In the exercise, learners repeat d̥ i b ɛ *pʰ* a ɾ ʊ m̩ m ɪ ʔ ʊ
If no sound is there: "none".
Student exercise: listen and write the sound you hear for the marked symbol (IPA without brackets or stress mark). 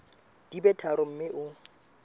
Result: tʰ